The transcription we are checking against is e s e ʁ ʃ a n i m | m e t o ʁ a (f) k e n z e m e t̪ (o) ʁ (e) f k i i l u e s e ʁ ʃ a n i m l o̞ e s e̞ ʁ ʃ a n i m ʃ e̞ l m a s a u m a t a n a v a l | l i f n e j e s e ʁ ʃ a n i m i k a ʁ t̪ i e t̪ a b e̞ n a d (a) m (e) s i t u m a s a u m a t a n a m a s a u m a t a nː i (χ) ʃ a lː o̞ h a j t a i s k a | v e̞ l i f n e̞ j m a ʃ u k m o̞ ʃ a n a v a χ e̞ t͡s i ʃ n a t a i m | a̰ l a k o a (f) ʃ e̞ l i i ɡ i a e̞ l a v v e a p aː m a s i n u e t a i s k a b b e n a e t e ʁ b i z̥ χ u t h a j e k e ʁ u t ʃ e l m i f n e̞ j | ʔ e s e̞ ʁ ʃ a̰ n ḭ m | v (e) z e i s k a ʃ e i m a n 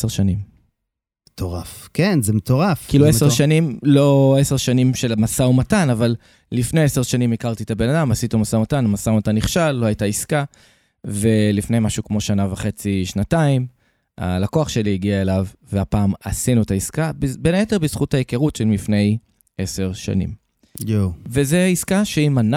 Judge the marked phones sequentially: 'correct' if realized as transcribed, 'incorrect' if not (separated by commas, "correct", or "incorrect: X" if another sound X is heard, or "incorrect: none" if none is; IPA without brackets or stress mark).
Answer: correct, correct, incorrect: a, correct, incorrect: a, correct, incorrect: χ, correct